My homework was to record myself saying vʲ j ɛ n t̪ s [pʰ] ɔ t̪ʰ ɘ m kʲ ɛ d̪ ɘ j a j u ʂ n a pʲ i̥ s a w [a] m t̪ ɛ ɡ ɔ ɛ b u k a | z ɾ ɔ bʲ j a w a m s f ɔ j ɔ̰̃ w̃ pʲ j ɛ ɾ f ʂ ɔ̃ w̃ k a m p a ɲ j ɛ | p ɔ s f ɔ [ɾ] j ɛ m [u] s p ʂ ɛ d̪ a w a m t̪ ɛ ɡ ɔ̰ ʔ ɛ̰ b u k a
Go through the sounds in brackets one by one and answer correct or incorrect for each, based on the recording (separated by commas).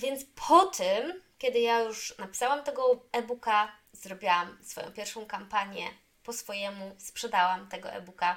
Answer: correct, correct, incorrect, correct